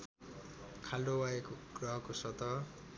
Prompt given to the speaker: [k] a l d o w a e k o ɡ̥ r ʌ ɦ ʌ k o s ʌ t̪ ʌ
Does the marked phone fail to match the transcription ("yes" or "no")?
yes